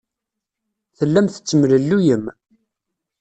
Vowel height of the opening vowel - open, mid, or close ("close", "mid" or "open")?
mid